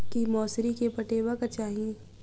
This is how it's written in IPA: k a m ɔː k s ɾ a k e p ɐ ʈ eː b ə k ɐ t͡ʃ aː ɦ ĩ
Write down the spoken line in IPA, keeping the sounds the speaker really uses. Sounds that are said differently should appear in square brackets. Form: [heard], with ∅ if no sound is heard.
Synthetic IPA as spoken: k [i] m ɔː [∅] s ɾ [i] k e p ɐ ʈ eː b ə k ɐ t͡ʃ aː ɦ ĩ